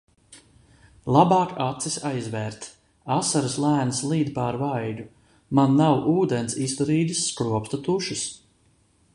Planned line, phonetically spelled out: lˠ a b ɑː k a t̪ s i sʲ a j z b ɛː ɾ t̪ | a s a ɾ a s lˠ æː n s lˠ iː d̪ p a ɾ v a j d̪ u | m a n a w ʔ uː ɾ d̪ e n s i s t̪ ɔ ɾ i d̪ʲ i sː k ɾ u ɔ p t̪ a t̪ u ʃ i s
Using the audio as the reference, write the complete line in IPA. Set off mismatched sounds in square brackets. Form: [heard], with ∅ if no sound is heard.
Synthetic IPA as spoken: lˠ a b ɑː k a t̪ s i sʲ a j z [v] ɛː ɾ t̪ | a s a ɾ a s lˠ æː n s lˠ iː d̪ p a ɾ v a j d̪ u | m a [nː] a w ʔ uː [∅] d̪ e n s i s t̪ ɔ ɾ [iː] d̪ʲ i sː k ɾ u ɔ p t̪ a t̪ u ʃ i s